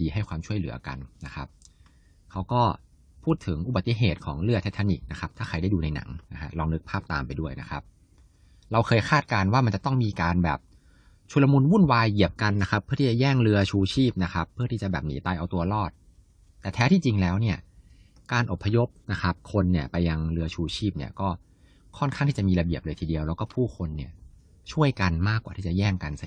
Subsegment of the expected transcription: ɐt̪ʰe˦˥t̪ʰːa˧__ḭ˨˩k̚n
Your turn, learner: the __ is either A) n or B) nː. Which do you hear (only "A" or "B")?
A